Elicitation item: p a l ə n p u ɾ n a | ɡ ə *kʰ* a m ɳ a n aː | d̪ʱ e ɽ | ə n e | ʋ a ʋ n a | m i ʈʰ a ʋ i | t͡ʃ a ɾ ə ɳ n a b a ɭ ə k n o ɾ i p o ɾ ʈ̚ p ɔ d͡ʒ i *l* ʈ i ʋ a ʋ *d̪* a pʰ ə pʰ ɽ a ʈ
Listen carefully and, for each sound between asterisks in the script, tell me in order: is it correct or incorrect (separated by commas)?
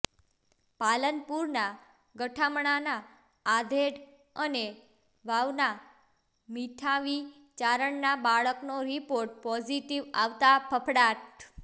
incorrect, incorrect, incorrect